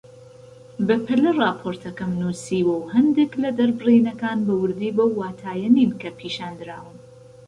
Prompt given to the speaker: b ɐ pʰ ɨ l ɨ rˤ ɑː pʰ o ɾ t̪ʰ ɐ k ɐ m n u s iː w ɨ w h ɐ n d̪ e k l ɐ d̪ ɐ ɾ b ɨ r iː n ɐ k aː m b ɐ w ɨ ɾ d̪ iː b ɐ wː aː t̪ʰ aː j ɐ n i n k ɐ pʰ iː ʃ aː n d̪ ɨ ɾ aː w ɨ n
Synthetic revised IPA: b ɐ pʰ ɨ l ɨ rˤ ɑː pʰ o ɾ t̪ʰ ɐ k ɐ m n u s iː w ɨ w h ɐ n d̪ e k l ɐ d̪ ɐ ɾ b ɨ r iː n ɐ k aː n b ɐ w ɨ ɾ d̪ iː b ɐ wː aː t̪ʰ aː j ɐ n i n k ɐ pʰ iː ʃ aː n d̪ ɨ ɾ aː w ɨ n